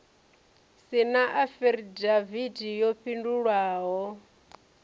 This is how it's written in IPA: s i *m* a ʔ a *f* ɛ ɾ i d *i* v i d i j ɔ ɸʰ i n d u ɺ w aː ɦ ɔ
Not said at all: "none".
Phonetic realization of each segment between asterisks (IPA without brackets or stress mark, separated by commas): n, f, a